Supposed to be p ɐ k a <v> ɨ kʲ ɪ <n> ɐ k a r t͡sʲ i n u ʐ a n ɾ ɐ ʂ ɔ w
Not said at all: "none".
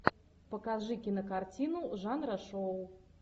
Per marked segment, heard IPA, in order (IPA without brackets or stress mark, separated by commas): ʐ, n